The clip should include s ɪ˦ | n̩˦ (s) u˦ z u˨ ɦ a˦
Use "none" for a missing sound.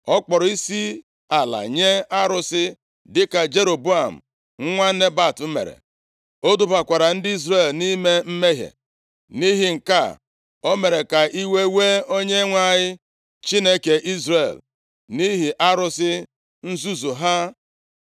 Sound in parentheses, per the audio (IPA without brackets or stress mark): z